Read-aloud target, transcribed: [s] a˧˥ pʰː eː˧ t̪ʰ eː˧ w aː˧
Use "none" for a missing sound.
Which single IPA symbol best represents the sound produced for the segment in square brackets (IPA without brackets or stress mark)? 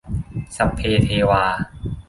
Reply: s